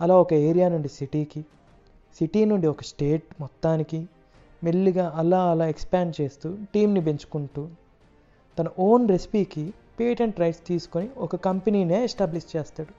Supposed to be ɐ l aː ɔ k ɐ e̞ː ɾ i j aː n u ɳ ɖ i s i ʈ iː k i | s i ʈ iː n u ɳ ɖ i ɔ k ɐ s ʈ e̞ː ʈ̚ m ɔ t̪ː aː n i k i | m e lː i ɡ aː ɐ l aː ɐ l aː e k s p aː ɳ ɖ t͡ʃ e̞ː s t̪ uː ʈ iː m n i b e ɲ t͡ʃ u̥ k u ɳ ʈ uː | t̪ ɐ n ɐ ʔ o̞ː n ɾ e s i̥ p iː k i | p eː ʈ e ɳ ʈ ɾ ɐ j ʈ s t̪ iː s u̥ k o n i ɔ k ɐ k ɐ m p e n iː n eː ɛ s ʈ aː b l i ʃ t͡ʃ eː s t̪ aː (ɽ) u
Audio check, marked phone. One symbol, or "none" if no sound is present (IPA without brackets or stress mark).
ɽ